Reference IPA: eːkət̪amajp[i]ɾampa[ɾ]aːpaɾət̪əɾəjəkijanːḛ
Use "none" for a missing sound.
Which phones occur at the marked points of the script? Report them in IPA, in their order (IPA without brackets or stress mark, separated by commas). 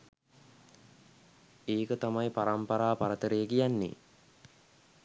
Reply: a, ɾ